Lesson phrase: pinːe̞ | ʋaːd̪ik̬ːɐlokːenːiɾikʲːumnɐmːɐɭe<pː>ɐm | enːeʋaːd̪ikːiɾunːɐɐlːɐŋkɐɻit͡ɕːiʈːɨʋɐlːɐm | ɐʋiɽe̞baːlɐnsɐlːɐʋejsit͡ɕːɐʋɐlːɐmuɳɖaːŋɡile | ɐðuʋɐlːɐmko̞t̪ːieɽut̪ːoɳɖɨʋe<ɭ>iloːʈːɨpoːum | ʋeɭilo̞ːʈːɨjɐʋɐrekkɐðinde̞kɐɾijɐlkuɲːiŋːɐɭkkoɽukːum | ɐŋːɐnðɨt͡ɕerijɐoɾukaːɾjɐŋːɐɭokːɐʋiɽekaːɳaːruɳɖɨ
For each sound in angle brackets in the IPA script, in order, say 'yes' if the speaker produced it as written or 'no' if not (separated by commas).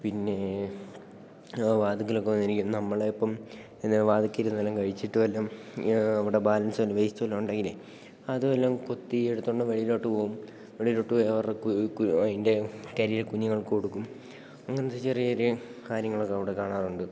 yes, yes